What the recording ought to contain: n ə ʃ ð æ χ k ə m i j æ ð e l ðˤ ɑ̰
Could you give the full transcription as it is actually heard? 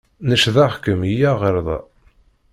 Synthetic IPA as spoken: n ə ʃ ð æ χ k ə m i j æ ʁ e ɾ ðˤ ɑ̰